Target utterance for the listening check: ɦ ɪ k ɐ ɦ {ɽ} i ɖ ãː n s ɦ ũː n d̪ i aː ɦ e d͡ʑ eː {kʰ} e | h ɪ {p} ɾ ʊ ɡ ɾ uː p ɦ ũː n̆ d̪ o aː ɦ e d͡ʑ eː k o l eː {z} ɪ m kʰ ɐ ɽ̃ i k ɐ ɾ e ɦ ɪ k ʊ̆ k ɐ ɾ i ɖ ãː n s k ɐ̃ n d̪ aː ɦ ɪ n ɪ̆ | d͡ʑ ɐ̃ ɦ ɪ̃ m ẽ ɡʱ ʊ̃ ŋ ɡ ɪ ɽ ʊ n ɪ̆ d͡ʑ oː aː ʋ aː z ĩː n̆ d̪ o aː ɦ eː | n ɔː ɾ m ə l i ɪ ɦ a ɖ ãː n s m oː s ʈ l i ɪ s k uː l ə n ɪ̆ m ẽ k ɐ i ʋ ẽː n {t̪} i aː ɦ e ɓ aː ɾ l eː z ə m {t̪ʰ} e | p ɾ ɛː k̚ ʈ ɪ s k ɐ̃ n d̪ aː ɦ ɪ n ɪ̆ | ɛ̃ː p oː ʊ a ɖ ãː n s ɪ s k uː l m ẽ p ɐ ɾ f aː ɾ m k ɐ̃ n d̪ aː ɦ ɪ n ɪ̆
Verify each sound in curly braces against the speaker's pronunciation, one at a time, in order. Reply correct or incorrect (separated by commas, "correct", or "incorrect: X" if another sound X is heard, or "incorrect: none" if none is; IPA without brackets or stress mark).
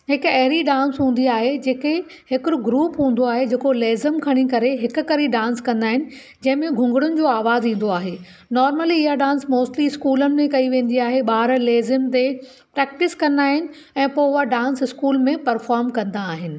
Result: incorrect: ɾ, incorrect: k, incorrect: k, correct, incorrect: d̪, incorrect: t̪